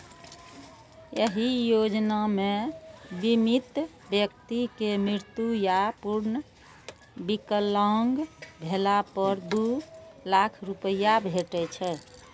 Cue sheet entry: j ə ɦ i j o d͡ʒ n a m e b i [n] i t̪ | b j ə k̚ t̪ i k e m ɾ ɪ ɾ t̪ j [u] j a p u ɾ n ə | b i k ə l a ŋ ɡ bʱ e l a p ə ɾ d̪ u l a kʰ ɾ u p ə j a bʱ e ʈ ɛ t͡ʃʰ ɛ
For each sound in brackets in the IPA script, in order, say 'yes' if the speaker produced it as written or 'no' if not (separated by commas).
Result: no, yes